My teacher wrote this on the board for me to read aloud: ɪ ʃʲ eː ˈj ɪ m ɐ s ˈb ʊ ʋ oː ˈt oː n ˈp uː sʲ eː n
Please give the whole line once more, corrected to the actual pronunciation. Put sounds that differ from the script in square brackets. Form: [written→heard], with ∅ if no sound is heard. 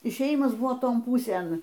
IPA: ɪ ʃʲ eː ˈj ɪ m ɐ s ˈb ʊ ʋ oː ˈt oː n ˈp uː sʲ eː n